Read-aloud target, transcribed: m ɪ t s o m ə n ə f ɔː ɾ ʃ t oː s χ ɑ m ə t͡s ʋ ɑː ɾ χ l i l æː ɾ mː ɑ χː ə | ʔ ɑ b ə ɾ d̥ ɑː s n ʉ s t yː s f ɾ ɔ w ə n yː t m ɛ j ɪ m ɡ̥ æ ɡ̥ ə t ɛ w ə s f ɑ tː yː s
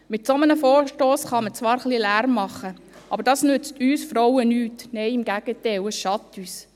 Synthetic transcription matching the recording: m ɪ t s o m ə n ə f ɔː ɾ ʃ t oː s χ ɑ m ə t͡s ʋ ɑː ɾ χ l i l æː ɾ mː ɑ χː ə | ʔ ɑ b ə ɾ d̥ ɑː s n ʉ t͡s t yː s f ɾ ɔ w ə n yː t n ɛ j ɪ m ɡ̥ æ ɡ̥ ə t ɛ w ə s ʃ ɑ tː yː s